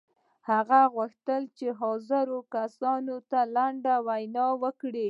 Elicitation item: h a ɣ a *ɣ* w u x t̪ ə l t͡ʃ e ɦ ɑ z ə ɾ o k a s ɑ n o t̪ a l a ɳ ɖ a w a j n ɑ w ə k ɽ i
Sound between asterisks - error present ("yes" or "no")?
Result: no